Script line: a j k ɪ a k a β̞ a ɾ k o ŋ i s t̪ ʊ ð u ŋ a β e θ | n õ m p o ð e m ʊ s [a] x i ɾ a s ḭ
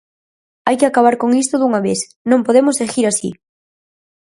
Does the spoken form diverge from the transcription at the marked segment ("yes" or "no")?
yes